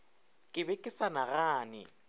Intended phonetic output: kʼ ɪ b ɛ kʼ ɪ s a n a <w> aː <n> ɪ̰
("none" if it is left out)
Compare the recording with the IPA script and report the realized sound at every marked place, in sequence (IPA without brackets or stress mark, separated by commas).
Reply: ɣ, n